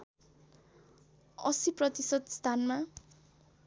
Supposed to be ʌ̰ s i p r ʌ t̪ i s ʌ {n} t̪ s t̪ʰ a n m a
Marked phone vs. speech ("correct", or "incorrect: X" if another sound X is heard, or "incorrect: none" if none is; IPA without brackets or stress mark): incorrect: none